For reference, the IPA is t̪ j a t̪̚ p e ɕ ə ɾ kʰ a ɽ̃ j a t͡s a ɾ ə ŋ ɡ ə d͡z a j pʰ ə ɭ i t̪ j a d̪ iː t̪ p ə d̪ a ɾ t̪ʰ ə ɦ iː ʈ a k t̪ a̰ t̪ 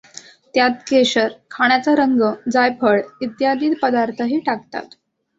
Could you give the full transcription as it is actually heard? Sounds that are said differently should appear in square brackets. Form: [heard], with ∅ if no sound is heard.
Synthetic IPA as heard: t̪ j a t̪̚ [k] e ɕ ə ɾ kʰ a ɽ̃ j a t͡s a ɾ ə ŋ ɡ ə d͡z a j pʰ ə ɭ i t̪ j a d̪ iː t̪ p ə d̪ a ɾ t̪ʰ ə ɦ iː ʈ a k t̪ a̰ t̪